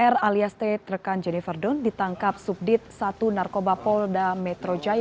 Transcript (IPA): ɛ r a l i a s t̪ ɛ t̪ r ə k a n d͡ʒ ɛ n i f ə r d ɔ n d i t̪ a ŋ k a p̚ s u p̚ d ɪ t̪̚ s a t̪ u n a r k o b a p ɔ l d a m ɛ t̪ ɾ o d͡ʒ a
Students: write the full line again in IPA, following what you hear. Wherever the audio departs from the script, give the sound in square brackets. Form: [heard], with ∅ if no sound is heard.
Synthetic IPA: ɛ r a l i a s t̪ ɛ t̪ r ə k a n d͡ʒ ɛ n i f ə r d ɔ n d i t̪ a ŋ k a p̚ s u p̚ d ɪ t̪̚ s a t̪ u n a r k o b a p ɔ l d a m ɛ t̪ ɾ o d͡ʒ a